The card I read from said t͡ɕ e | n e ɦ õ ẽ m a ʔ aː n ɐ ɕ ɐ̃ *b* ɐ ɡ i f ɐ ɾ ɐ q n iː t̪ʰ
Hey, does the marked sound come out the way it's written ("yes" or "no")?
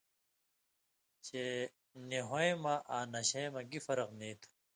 no